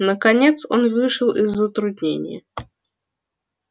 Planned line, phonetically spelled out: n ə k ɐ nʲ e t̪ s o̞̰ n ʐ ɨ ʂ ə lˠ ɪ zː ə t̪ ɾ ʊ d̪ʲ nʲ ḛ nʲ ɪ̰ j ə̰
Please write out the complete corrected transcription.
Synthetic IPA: n ə k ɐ nʲ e t̪ s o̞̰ n v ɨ ʂ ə lˠ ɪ zː ə t̪ ɾ ʊ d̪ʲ nʲ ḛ nʲ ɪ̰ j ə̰